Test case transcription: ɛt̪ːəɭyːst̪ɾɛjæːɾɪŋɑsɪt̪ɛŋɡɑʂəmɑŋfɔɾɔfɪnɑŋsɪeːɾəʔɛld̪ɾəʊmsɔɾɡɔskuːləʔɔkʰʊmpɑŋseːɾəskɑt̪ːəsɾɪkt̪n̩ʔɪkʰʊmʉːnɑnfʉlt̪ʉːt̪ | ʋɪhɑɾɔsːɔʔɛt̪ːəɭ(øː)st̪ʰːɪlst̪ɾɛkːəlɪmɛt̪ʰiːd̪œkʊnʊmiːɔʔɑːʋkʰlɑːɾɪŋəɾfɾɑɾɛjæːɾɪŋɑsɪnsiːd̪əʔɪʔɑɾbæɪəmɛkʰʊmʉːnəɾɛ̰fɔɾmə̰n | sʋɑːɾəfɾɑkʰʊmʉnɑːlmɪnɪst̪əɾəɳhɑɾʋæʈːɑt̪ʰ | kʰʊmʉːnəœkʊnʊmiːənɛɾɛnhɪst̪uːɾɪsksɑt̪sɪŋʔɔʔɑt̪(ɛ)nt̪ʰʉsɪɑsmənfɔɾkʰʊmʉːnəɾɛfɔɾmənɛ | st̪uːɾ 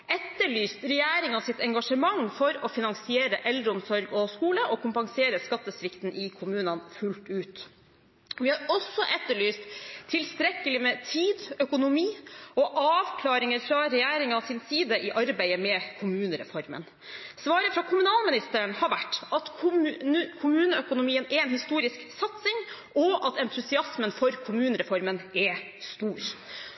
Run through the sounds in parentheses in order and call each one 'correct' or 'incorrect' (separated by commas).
incorrect, correct